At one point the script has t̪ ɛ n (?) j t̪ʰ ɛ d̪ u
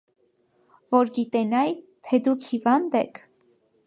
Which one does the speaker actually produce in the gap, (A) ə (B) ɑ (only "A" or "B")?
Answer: B